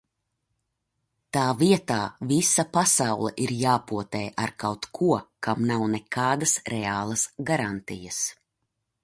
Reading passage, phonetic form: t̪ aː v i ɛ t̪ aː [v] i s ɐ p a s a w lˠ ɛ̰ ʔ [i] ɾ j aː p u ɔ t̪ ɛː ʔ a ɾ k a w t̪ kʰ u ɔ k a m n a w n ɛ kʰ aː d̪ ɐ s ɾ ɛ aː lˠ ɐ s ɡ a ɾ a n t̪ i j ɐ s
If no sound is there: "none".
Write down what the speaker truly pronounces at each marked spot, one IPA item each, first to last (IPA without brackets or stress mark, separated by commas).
v, i